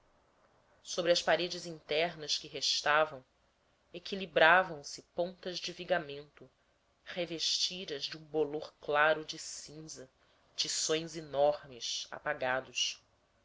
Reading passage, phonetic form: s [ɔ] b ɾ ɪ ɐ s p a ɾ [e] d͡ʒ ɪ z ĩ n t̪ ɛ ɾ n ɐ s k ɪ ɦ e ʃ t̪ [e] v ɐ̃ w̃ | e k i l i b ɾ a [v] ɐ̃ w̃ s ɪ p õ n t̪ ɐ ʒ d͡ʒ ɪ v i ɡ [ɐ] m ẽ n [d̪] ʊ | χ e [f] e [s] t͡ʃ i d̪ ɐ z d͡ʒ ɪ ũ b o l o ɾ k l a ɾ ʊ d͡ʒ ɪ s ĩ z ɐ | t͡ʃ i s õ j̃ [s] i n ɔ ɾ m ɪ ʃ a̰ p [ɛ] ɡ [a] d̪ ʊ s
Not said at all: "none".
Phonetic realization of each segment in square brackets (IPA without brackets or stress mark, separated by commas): o, e, a, v, a, t̪, v, ʃ, z, a, a